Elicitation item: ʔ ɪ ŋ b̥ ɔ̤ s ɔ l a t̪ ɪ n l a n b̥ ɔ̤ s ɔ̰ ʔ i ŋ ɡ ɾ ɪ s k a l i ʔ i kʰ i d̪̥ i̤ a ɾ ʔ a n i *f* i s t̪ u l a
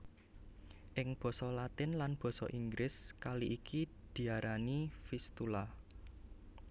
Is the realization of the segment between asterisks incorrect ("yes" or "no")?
no